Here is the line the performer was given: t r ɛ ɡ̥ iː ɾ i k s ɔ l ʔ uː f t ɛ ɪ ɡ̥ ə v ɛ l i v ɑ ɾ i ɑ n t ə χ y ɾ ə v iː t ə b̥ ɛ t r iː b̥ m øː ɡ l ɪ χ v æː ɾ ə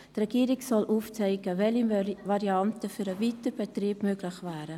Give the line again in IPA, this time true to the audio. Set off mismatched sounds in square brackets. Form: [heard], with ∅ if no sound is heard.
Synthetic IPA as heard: t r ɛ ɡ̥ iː ɾ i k s ɔ l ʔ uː f [t͡s] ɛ ɪ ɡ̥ ə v ɛ l i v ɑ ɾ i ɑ n t ə [f] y ɾ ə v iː t ə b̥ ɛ t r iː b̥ m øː ɡ l ɪ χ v æː ɾ ə